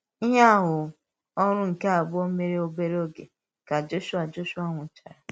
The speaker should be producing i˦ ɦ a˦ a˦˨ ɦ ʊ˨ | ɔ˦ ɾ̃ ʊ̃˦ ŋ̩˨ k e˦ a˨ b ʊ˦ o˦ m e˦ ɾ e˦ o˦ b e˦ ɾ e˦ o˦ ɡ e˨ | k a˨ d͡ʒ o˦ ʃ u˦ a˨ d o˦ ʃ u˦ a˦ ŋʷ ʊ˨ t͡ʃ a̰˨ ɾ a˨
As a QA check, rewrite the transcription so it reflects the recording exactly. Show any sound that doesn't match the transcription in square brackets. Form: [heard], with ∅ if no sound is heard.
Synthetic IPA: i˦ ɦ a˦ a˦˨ ɦ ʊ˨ | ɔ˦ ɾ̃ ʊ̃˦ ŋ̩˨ k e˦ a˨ b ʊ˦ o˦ m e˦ ɾ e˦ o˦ b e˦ ɾ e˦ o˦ ɡ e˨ | k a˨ d͡ʒ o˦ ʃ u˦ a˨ [d͡ʒ] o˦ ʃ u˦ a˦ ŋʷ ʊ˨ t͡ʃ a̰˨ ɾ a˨